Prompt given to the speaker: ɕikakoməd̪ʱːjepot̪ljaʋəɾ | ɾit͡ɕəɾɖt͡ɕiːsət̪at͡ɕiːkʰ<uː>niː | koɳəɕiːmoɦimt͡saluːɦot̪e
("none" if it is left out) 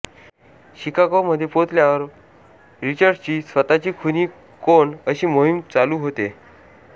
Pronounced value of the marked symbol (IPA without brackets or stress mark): u